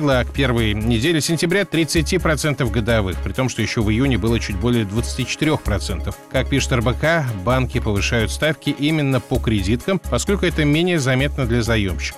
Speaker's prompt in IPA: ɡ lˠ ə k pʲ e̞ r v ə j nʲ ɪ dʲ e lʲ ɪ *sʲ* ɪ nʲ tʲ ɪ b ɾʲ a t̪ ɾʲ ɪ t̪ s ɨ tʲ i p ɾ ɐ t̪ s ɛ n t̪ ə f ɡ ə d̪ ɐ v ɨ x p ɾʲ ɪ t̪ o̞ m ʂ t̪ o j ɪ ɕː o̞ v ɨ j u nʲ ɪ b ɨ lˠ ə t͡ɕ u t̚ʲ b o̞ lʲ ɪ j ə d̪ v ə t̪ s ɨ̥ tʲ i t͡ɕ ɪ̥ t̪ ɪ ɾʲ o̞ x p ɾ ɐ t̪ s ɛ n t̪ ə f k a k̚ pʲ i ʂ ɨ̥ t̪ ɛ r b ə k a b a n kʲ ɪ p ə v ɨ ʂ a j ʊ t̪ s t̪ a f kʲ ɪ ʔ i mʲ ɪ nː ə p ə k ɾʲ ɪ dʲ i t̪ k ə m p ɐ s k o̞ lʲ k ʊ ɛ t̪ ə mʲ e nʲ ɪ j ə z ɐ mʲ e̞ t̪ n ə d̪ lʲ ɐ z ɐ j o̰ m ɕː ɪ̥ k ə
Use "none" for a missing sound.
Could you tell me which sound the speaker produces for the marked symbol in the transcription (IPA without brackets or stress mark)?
sʲ